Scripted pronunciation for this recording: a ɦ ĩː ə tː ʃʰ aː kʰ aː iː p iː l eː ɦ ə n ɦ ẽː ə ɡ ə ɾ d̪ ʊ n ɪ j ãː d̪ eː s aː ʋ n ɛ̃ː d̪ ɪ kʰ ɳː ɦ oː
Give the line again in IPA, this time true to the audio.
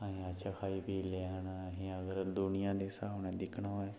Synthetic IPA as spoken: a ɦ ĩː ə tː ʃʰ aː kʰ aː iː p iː l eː ɦ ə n ɦ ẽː ə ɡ ə ɾ d̪ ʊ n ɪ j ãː d̪ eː s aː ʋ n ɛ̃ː d̪ ɪ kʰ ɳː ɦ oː